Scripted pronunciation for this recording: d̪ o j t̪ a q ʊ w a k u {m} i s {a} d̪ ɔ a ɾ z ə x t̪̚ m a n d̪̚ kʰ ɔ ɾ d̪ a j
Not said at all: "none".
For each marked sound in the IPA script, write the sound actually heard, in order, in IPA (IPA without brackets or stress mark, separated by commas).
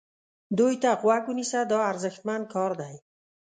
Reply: n, a